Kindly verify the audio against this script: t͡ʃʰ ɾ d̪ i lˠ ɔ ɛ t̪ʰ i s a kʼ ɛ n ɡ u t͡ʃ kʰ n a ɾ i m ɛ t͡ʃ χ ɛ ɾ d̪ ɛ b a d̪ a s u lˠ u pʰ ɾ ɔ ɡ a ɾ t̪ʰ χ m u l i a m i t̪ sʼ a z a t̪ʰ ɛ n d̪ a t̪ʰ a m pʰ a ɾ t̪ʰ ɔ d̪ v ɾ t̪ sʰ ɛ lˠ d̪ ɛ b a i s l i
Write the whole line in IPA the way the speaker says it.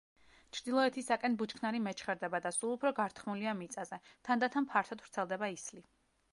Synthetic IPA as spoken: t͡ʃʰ ɾ d̪ i lˠ ɔ ɛ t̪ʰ i s a kʼ ɛ n b u t͡ʃ kʰ n a ɾ i m ɛ t͡ʃ χ ɛ ɾ d̪ ɛ b a d̪ a s u lˠ u pʰ ɾ ɔ ɡ a ɾ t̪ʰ χ m u l i a m i t̪ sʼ a z ɛ t̪ʰ a n d̪ a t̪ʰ a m pʰ a ɾ t̪ʰ ɔ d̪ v ɾ t̪ sʰ ɛ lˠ d̪ ɛ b a i s l i

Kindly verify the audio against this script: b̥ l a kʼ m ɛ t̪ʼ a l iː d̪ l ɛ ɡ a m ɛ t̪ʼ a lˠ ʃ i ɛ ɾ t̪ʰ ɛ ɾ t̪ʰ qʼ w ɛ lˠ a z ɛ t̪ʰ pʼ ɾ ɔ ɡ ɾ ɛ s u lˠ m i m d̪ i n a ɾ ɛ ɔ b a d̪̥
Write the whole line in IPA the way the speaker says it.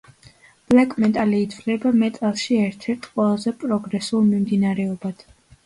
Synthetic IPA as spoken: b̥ l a kʼ m ɛ t̪ʼ a l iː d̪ l ɛ b a m ɛ t̪ʼ a lˠ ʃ i ɛ ɾ t̪ʰ ɛ ɾ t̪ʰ qʼ w ɛ lˠ a z ɛ pʼ ɾ ɔ ɡ ɾ ɛ s u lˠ m i m d̪ i n a ɾ ɛ ɔ b a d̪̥

